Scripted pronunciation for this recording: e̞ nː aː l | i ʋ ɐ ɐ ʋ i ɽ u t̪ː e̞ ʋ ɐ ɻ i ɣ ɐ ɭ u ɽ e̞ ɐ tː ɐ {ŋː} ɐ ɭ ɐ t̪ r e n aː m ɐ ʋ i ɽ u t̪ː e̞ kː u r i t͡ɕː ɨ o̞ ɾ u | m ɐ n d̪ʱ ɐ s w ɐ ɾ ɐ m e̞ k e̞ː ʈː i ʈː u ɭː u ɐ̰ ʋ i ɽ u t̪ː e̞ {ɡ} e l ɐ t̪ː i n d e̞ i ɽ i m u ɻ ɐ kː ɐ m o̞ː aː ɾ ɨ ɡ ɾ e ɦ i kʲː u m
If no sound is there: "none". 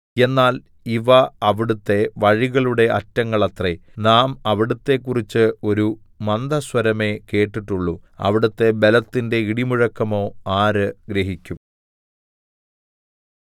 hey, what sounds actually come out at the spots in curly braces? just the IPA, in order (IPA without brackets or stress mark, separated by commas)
ŋː, b